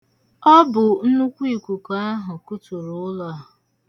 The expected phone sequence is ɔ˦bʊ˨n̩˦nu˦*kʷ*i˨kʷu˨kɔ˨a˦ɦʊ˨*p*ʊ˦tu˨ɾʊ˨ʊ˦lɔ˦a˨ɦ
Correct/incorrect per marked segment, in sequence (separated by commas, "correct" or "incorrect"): correct, incorrect